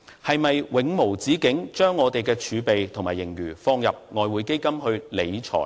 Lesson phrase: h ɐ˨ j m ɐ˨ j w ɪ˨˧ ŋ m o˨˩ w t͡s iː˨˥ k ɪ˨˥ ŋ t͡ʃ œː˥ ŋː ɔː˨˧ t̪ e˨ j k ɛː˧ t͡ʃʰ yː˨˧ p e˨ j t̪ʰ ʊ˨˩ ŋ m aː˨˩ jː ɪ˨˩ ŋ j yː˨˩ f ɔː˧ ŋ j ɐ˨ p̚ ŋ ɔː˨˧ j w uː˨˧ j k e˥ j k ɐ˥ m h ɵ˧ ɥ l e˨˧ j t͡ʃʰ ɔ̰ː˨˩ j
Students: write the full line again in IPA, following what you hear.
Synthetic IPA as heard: h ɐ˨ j m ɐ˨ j w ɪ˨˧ ŋ m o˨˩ w t͡s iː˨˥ k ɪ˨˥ ŋ t͡ʃ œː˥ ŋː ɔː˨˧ t̪ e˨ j k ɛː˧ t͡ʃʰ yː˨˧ p e˨ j t̪ʰ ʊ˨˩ ŋ m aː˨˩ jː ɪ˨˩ ŋ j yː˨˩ f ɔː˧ ŋ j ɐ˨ p̚ ŋ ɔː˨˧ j w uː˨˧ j k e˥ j k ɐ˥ m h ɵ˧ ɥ l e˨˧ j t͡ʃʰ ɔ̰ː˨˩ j